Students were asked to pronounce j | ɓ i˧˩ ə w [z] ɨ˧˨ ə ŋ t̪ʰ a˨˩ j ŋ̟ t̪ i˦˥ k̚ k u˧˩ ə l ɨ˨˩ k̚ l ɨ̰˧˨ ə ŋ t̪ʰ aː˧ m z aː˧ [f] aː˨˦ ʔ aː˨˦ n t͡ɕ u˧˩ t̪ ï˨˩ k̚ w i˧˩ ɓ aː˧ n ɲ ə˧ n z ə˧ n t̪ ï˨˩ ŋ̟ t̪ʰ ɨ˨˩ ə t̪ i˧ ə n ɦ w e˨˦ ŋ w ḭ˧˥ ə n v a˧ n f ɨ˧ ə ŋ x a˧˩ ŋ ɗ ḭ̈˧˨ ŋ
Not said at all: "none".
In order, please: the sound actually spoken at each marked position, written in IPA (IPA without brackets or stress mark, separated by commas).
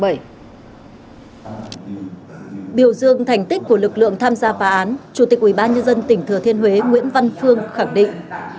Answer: z, f